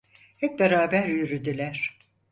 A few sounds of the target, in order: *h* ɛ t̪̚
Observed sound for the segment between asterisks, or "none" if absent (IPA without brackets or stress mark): h